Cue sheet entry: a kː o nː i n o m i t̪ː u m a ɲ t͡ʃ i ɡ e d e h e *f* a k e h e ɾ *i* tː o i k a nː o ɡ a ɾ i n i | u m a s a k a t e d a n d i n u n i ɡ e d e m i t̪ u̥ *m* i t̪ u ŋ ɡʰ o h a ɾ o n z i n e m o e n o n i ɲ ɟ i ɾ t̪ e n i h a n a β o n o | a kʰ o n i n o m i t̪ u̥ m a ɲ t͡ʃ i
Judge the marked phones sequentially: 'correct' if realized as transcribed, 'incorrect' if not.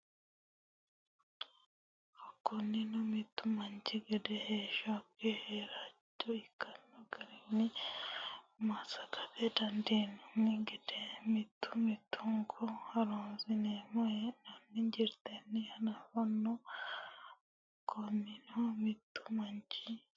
incorrect, incorrect, correct

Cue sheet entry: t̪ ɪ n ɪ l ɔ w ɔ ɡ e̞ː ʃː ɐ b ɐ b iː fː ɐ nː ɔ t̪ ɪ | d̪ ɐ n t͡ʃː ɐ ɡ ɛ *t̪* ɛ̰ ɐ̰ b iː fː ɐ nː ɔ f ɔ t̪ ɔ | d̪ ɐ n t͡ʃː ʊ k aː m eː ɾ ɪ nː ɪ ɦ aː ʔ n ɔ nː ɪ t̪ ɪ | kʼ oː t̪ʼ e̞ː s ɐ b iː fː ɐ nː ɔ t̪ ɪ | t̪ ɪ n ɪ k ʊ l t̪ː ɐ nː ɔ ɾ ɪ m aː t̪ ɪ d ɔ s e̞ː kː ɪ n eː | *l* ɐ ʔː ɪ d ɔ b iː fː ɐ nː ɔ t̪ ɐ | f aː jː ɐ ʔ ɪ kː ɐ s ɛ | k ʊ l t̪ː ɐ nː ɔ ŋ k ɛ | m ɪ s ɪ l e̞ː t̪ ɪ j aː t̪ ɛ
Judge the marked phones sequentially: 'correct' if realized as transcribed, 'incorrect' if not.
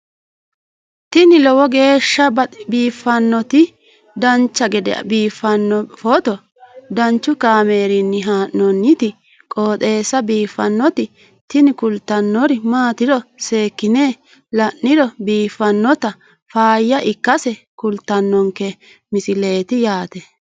incorrect, correct

